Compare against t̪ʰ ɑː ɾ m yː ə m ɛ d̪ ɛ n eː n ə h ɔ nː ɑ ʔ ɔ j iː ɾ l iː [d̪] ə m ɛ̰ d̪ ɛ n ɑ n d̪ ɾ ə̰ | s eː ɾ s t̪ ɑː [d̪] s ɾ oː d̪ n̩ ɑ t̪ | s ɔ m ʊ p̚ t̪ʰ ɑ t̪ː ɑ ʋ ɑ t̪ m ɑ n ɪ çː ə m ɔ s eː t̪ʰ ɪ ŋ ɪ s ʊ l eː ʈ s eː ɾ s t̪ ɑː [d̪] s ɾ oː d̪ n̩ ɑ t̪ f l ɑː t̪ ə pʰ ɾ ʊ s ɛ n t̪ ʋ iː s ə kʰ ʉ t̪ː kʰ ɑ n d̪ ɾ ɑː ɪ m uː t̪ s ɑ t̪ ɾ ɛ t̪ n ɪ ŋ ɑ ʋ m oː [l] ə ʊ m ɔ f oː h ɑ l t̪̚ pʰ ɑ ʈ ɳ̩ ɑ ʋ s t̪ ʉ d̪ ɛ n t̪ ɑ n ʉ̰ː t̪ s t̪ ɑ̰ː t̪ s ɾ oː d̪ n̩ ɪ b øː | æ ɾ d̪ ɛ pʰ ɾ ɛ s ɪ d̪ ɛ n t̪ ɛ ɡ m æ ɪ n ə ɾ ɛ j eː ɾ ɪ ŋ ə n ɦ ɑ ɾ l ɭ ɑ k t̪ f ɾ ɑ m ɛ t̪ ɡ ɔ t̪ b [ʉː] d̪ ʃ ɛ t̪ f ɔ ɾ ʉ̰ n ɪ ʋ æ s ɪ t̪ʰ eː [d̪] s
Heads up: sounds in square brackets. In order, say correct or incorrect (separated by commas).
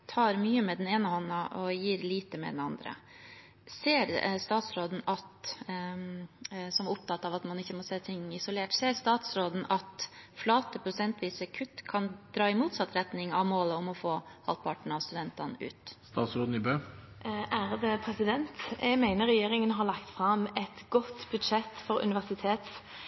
incorrect, incorrect, incorrect, correct, incorrect, incorrect